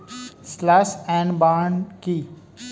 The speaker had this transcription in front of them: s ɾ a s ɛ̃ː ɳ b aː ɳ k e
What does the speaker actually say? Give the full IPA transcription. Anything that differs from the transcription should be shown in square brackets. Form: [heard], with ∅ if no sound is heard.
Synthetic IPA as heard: s [l] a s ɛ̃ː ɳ b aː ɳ k [i]